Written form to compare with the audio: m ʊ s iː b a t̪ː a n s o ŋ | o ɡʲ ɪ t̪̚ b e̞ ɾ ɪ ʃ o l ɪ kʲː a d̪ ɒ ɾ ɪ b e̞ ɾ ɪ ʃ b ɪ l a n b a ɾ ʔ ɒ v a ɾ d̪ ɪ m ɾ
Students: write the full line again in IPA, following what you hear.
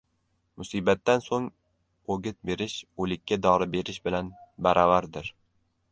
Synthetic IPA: m ʊ s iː b a t̪ː a n s o ŋ | o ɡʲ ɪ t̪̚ b e̞ ɾ ɪ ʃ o l ɪ kʲː a d̪ ɒ ɾ ɪ b e̞ ɾ ɪ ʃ b ɪ l a n b a ɾ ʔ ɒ v a ɾ d̪ ɪ ɾ